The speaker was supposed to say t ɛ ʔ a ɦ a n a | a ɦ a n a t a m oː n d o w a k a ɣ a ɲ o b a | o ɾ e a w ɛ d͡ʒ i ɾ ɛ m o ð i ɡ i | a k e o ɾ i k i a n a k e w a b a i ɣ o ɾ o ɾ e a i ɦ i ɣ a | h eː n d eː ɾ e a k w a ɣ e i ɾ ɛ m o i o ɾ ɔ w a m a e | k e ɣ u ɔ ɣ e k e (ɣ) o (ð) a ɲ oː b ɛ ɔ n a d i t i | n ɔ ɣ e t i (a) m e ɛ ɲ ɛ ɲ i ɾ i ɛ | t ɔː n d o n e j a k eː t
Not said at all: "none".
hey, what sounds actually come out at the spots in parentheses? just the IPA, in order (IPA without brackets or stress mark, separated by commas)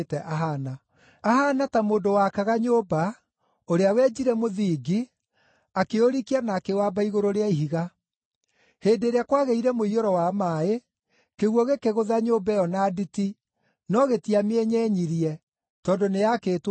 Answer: ɣ, ð, a